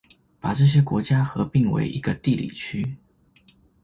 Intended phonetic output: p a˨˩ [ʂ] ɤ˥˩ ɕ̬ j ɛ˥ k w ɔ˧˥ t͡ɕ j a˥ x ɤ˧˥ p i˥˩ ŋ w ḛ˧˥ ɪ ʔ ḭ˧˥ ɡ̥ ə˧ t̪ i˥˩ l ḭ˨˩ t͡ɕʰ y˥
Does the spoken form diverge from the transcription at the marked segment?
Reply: yes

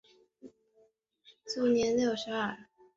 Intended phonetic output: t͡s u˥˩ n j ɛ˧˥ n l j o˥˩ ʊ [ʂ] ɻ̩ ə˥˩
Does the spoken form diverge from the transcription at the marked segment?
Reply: no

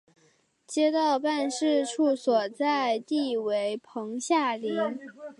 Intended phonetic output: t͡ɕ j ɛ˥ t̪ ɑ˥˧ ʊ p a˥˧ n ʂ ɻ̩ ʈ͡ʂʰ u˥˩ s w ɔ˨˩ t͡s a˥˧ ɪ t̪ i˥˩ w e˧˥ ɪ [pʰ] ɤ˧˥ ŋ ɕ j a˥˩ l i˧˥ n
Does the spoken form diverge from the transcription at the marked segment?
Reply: no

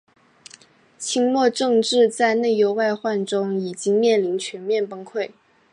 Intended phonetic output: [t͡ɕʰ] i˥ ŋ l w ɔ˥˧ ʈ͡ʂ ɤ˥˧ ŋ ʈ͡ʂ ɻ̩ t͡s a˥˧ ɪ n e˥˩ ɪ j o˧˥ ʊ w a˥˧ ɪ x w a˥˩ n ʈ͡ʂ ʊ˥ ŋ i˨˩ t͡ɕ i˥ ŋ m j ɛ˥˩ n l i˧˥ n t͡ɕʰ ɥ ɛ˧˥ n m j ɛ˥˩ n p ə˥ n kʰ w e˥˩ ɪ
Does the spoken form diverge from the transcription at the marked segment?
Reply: no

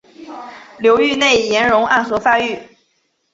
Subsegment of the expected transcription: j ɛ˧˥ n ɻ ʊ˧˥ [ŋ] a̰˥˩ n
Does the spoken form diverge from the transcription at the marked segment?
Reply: no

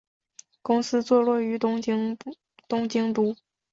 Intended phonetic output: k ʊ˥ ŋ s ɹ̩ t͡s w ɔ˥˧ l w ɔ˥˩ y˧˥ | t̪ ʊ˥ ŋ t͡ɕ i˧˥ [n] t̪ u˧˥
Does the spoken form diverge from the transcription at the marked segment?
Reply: yes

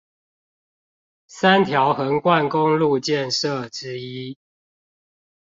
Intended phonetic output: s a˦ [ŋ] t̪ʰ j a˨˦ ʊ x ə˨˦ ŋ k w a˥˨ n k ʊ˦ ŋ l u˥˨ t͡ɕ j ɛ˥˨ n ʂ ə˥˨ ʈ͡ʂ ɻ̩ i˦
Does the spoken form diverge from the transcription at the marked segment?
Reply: yes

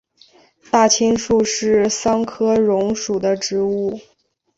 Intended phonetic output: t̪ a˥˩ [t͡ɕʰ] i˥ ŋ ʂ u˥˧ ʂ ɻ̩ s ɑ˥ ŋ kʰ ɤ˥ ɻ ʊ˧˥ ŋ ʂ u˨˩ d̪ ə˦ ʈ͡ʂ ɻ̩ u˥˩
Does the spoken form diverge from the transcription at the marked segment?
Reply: no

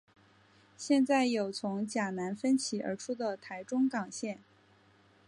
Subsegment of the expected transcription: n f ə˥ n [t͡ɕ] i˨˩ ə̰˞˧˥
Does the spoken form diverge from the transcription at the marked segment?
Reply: yes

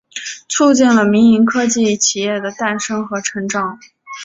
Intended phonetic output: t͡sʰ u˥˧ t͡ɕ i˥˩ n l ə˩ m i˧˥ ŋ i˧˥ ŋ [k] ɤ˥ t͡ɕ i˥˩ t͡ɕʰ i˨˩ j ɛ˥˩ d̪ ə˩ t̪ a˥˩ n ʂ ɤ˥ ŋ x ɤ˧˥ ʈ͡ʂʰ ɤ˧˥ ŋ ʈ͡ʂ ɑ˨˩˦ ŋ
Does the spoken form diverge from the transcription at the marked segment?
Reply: yes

